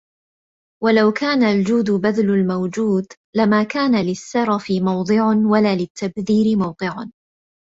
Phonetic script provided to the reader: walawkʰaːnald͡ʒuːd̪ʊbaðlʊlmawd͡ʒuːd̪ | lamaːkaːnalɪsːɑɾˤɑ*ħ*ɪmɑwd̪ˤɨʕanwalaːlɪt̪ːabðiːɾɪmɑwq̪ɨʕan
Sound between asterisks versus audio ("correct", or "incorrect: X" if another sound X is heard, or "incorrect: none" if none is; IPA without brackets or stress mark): incorrect: f